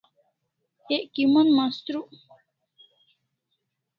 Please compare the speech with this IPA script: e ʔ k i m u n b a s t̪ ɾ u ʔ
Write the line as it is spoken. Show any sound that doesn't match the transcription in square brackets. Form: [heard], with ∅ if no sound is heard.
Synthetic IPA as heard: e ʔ k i m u n [m] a s t̪ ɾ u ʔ